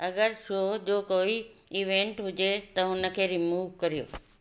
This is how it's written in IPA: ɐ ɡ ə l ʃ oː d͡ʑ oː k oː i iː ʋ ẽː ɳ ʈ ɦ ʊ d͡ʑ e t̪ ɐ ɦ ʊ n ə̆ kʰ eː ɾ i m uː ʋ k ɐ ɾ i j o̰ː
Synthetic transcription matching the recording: ɐ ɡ ə ɾ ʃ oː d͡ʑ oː k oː i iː ʋ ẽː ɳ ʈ ɦ ʊ d͡ʑ e t̪ ɐ ɦ ʊ n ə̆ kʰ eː ɾ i m uː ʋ k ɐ ɾ i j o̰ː